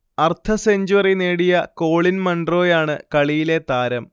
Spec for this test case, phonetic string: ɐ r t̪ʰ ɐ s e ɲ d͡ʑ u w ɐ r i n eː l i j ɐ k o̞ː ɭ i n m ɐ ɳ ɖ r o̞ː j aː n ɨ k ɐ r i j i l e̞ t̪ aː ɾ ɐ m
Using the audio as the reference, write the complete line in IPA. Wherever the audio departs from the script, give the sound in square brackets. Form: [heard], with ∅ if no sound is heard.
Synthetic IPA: ɐ r t̪ʰ ɐ s e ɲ d͡ʑ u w ɐ r i n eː [ɽ] i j ɐ k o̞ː ɭ i n m ɐ ɳ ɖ r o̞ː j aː [ɳ] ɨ k ɐ [ɭ] i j i l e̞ t̪ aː ɾ ɐ m